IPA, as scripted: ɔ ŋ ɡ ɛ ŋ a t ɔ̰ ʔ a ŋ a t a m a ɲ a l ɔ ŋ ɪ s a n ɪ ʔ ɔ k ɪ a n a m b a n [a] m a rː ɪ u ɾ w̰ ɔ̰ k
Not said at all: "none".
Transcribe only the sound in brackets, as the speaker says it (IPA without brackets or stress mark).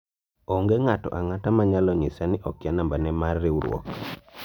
ɛ